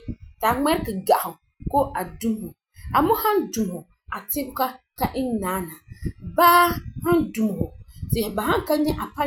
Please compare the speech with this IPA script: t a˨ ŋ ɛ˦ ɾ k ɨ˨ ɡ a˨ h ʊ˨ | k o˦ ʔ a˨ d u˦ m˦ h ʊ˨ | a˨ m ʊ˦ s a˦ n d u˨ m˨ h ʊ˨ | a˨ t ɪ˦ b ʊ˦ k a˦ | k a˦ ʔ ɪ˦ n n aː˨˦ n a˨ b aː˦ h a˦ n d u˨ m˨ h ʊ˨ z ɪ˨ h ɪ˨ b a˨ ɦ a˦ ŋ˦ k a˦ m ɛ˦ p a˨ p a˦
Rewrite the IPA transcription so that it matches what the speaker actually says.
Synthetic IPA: t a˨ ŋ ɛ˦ ɾ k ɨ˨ ɡ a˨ h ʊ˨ | k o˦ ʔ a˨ d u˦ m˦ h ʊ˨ | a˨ m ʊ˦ h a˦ n d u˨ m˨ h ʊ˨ | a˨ t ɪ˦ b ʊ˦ k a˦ | k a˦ ʔ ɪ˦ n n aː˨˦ n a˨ b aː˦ h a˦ n d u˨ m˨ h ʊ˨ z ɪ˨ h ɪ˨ b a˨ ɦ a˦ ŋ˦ k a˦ ɲ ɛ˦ ʔ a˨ p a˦